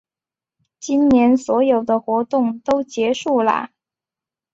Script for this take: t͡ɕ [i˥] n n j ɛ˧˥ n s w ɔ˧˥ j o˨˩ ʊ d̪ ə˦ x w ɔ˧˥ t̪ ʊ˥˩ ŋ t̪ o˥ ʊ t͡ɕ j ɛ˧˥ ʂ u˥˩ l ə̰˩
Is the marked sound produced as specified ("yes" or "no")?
yes